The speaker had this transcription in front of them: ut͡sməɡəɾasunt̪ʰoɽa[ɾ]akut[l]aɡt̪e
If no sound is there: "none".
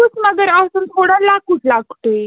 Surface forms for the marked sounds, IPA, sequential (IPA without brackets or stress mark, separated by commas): l, l